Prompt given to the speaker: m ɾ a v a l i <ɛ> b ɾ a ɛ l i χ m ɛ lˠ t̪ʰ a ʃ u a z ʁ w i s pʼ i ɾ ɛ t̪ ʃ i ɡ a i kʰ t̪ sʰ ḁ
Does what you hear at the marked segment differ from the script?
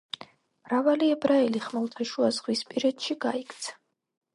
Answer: no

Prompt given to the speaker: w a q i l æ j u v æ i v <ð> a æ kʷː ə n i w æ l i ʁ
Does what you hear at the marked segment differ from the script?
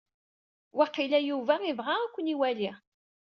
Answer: yes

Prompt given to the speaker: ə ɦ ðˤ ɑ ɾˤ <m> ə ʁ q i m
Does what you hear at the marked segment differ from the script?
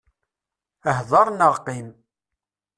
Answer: yes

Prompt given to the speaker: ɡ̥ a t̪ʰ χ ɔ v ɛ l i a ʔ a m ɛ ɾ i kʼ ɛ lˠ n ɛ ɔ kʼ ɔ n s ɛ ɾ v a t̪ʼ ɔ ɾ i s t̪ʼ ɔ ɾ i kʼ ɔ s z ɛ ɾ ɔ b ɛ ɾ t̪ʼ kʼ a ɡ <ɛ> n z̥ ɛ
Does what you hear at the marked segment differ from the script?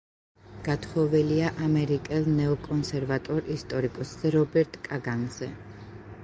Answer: yes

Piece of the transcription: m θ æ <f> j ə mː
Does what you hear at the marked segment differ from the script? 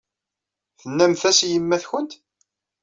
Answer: yes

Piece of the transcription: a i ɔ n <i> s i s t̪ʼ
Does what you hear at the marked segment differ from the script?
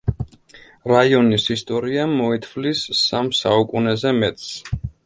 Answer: no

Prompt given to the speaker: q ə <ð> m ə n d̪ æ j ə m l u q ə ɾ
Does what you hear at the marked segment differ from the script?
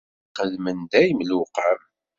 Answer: no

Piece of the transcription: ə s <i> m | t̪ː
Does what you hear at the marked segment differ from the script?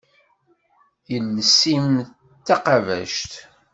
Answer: no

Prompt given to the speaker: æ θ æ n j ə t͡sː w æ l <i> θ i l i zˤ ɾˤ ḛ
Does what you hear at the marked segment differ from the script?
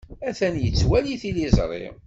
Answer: no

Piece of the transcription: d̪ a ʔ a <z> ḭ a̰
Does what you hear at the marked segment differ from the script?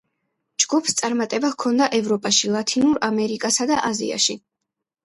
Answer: no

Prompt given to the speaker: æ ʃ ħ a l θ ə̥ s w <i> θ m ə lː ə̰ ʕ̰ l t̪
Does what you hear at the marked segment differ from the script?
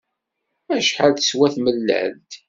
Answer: yes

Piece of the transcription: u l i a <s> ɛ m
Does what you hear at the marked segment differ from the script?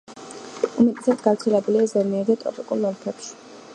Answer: yes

